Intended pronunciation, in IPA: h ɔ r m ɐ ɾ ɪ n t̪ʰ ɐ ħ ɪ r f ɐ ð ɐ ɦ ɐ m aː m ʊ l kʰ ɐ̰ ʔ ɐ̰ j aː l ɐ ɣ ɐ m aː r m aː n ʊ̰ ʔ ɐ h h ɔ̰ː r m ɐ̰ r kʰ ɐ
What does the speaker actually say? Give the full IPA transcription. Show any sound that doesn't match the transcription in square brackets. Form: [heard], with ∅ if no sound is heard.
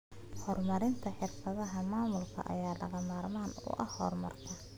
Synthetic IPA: h ɔ r m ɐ ɾ ɪ n t̪ʰ ɐ ħ ɪ r f ɐ ð ɐ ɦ ɐ m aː m ʊ l kʰ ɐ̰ ʔ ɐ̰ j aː l ɐ ɣ ɐ m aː r m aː n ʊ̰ ʔ ɐ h h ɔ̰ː r m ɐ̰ r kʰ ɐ